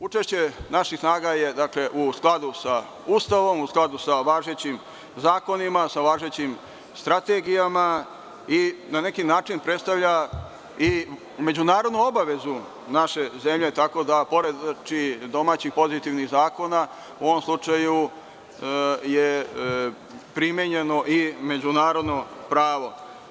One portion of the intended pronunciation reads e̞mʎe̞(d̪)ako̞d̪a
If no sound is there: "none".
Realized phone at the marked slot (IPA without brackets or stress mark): t̪